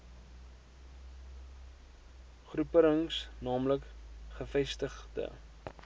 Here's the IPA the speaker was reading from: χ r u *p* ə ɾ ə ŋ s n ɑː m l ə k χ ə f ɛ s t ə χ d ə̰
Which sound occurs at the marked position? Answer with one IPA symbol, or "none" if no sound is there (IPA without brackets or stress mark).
p